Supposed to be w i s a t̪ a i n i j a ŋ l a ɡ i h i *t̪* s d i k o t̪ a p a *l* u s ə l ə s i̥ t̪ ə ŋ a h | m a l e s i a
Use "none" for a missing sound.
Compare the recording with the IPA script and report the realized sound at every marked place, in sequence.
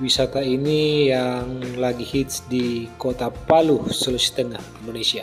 t̪, l

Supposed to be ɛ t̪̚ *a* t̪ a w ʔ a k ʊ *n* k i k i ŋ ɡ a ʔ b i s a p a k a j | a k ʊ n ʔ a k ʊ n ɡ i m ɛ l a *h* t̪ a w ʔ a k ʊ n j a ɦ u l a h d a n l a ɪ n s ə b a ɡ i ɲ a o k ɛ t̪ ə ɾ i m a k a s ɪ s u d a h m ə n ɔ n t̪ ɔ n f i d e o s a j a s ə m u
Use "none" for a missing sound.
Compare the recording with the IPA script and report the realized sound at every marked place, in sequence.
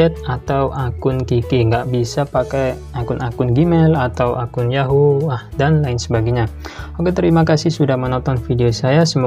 a, n, none

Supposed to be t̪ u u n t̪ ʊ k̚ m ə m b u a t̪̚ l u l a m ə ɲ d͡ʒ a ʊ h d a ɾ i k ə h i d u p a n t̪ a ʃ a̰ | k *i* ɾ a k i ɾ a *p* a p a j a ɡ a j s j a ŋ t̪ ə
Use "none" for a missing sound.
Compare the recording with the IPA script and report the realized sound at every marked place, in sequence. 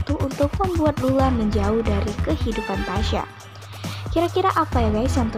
i, ʔ

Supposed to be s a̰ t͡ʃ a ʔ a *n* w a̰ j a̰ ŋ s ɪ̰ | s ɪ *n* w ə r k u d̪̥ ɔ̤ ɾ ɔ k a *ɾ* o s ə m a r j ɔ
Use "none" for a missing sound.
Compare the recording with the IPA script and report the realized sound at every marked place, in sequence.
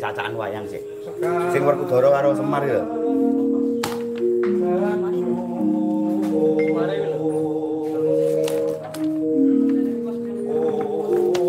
n, ŋ, ɾ

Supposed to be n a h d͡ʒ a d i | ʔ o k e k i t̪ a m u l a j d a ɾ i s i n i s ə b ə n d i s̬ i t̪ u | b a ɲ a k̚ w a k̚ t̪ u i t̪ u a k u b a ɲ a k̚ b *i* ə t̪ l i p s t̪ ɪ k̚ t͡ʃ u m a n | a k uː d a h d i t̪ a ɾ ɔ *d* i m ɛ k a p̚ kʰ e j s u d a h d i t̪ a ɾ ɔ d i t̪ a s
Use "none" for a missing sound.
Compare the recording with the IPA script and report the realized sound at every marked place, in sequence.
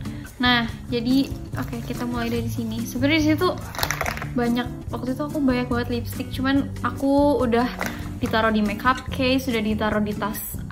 a, d

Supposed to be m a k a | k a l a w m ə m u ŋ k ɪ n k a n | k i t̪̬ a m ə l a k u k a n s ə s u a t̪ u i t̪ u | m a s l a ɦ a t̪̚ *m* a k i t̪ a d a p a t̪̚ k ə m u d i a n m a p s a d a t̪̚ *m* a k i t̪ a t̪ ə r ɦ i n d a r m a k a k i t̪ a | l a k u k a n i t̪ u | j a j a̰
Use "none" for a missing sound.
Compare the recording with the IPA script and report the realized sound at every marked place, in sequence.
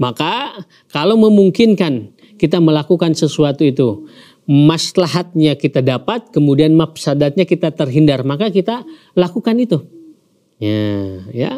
ɲ, ɲ

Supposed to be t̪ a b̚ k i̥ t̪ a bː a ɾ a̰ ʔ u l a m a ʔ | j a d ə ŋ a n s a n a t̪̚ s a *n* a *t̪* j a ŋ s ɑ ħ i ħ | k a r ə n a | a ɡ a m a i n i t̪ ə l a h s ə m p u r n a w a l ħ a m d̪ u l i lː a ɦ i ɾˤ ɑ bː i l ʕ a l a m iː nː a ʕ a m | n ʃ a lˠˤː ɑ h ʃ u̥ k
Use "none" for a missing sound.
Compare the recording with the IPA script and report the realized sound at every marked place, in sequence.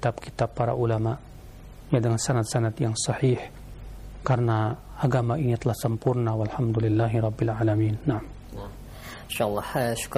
n, t̪

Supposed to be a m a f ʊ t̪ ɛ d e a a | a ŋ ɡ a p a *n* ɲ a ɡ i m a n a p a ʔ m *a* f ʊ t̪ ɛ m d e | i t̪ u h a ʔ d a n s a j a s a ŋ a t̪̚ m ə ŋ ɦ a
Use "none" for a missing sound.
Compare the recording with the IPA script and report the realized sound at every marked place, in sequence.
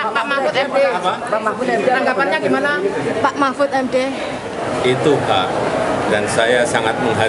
n, a

